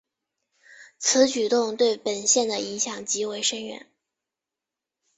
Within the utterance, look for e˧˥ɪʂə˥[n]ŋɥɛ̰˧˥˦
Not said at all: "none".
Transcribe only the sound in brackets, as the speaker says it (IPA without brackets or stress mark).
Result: none